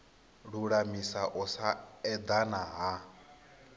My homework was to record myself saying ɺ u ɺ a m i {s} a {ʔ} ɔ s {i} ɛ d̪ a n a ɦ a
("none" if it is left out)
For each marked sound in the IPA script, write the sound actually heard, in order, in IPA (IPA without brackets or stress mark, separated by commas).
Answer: s, ʔ, a